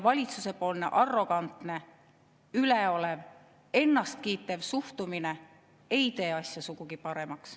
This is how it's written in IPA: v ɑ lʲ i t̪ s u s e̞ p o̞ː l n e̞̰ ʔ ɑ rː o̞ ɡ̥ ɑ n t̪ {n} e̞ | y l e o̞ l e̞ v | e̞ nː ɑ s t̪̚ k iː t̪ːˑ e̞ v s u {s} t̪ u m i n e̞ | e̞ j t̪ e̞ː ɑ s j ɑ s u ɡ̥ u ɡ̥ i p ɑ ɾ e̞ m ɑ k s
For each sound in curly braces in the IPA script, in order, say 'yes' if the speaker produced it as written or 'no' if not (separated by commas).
yes, no